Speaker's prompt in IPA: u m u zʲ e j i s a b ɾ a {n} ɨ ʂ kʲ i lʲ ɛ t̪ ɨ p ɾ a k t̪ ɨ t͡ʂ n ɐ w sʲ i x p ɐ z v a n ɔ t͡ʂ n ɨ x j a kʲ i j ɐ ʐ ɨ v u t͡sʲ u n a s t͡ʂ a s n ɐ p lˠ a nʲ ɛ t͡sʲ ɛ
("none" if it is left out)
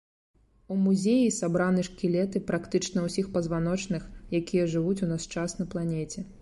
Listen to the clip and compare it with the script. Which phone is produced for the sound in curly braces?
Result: n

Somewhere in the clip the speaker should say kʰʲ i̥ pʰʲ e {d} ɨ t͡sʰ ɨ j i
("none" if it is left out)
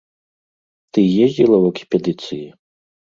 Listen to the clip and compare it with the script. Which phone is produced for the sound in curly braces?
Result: d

